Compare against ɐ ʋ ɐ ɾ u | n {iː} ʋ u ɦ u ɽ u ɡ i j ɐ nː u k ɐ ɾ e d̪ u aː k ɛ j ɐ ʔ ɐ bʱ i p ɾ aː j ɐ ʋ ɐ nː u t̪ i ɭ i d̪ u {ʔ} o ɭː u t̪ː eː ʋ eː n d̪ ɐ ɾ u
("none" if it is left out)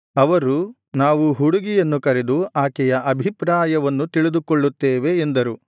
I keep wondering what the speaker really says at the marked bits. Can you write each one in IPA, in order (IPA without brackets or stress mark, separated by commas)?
aː, k